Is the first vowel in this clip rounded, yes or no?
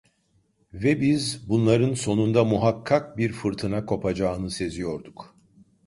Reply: no